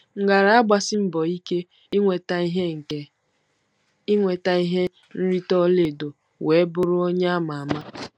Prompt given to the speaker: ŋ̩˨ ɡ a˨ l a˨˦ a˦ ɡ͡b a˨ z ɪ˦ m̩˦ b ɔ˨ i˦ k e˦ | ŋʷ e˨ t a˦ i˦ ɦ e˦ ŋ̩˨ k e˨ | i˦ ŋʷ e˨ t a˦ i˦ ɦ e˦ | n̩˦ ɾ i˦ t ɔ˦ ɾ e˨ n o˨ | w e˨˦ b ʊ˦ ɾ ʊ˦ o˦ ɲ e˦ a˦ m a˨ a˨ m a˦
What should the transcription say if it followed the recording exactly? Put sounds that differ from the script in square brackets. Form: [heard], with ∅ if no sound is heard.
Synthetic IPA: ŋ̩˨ ɡ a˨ [ɾ] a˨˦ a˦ ɡ͡b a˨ [s] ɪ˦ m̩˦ b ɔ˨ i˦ k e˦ | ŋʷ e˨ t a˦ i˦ ɦ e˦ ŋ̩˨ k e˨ | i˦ ŋʷ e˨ t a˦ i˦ ɦ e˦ | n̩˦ ɾ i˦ t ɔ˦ [l] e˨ [d] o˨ | w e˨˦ b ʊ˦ ɾ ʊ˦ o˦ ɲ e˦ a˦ m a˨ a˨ m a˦